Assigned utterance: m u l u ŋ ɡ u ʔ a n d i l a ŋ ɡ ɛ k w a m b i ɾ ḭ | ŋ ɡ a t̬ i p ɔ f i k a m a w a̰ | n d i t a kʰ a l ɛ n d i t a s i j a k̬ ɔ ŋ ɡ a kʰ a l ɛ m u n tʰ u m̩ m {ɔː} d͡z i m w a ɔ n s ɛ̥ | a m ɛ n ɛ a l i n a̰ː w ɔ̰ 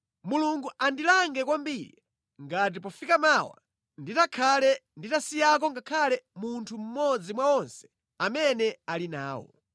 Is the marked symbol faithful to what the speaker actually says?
no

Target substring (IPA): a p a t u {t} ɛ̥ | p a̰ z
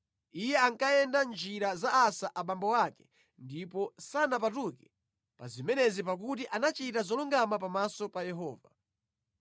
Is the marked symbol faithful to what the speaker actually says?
no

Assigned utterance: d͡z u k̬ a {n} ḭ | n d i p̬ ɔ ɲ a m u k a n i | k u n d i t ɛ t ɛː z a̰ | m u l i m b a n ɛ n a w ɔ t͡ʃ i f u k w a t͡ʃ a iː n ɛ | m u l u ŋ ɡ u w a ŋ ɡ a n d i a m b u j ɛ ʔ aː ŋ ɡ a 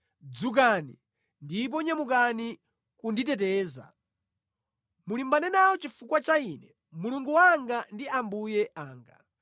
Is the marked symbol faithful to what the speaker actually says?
yes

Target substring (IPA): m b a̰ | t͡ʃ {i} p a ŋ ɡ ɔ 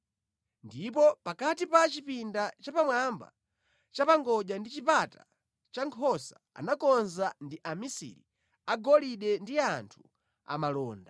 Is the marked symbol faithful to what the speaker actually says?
no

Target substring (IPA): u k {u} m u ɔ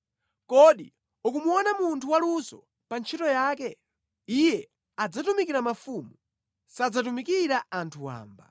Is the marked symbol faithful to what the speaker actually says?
yes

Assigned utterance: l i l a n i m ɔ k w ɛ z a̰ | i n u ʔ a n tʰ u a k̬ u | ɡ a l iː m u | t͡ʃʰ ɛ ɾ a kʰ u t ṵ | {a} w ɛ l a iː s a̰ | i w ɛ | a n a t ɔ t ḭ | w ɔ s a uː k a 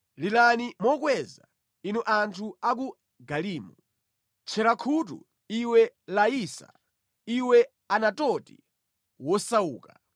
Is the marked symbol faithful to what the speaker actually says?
no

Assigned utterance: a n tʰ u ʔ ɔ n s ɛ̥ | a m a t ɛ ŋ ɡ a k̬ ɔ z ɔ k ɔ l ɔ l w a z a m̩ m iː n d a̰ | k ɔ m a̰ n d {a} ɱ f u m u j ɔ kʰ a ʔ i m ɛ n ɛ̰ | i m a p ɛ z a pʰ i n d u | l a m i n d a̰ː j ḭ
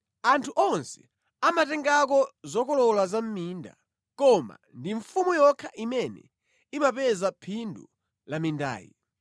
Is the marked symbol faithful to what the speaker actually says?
no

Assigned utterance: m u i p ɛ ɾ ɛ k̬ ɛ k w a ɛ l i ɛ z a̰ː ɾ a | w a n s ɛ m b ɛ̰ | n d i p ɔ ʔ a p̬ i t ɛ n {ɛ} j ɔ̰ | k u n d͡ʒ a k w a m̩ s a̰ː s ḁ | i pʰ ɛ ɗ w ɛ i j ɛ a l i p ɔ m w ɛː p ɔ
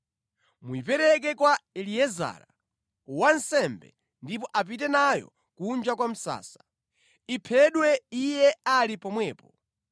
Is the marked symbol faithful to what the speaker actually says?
no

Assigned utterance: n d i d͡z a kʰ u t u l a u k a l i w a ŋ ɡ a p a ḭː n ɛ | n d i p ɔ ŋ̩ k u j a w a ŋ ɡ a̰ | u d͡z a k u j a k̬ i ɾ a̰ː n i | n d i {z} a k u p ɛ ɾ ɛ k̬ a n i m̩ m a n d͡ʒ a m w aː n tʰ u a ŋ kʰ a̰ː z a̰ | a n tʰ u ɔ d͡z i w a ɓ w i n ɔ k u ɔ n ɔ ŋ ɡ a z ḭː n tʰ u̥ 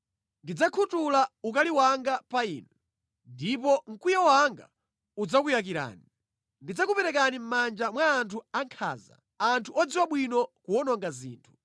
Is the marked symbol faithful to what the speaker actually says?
no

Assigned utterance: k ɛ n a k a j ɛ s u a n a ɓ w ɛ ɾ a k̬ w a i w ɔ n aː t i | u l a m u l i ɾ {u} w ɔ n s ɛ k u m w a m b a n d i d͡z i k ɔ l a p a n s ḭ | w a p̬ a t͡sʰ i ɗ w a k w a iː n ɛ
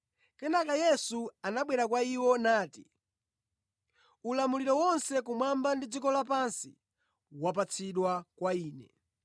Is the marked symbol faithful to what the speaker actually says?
no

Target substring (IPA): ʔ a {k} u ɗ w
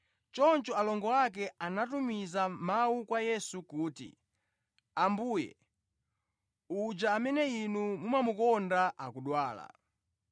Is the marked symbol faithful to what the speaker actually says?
yes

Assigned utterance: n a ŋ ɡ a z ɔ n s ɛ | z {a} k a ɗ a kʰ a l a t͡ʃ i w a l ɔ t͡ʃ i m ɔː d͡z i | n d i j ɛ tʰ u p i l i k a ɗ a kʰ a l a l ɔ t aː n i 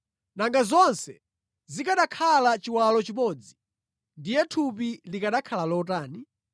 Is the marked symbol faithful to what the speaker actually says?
no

